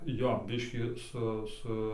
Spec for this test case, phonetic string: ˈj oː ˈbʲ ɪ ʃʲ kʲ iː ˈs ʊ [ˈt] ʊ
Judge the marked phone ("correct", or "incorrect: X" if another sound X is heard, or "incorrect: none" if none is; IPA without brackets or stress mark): incorrect: s